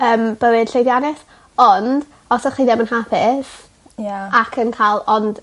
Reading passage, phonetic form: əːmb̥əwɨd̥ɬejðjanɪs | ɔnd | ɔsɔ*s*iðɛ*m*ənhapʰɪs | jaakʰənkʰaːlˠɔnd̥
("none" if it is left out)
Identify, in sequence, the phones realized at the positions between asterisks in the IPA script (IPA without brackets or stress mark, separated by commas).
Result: χ, m